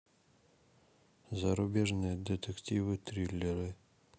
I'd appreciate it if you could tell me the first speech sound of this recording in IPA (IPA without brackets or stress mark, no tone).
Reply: z